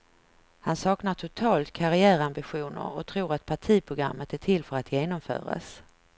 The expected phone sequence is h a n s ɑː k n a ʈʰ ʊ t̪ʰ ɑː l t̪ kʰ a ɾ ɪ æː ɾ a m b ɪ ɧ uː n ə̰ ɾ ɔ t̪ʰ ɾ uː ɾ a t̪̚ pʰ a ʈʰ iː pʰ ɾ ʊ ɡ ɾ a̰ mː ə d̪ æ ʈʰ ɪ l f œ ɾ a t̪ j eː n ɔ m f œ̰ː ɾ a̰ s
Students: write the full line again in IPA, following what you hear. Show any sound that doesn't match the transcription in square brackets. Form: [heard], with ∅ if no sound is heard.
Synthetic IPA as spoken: h a n s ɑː k n a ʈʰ ʊ t̪ʰ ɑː l t̪ kʰ a ɾ ɪ æː ɾ a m b ɪ ɧ uː n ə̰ ɾ ɔ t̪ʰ ɾ uː ɾ a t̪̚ pʰ a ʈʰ iː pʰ ɾ ʊ ɡ ɾ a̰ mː ə [t̪] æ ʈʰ ɪ l f œ ɾ a t̪ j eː n ɔ m f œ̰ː ɾ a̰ s